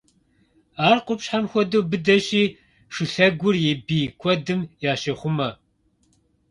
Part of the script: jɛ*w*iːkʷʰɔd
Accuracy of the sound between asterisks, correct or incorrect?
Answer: incorrect